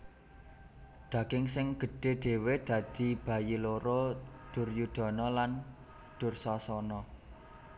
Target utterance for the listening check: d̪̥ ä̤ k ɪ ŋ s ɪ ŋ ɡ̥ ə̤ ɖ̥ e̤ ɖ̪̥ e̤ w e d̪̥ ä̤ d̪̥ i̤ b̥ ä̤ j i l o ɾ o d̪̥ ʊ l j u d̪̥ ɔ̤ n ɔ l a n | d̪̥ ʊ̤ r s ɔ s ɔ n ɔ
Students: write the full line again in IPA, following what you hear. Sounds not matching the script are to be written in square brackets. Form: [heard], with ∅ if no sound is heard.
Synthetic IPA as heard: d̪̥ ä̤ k ɪ ŋ s ɪ ŋ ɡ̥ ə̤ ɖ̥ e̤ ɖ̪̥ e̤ w e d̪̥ ä̤ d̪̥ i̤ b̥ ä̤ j i l o ɾ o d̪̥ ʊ [r] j u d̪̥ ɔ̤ n ɔ l a n | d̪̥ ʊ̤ r s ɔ s ɔ n ɔ